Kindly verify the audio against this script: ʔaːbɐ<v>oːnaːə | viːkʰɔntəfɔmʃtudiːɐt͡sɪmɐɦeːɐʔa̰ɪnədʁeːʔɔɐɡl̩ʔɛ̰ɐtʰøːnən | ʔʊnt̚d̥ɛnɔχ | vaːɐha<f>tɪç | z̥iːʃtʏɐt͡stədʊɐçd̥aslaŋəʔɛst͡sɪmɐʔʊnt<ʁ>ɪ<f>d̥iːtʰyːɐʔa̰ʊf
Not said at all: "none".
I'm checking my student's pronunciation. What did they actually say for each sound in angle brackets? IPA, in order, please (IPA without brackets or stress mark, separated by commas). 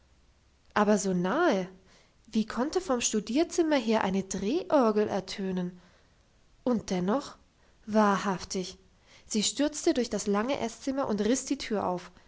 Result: z, f, ʁ, s